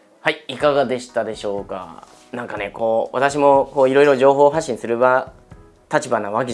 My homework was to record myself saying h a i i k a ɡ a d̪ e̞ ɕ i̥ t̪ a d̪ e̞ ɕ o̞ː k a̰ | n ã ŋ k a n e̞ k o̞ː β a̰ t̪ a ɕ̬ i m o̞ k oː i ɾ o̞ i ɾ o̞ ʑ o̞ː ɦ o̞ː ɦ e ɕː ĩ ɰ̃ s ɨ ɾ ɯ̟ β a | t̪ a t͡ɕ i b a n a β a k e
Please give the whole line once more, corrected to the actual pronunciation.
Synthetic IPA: h a i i k a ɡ a d̪ e̞ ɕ i̥ t̪ a d̪ e̞ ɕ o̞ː k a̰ | n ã ŋ k a n e̞ k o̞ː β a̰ t̪ a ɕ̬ i m o̞ k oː i ɾ o̞ i ɾ o̞ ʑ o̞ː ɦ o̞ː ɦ a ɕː ĩ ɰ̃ s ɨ ɾ ɯ̟ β a | t̪ a t͡ɕ i b a n a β a k e